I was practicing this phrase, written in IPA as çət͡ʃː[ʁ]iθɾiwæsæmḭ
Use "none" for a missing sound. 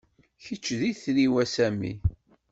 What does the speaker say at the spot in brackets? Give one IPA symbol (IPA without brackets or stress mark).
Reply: ð